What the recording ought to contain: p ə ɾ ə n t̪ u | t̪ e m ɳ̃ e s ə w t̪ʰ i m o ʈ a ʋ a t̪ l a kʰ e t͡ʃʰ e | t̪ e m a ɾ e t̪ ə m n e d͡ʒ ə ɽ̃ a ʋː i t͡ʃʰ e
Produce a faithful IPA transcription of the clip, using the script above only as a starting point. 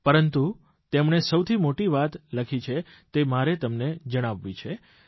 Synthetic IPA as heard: p ə ɾ ə n t̪ u | t̪ e m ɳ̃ e s ə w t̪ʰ i m o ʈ i ʋ a t̪ l ə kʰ i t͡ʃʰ e | t̪ e m a ɾ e t̪ ə m n e d͡ʒ ə ɽ̃ a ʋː i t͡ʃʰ e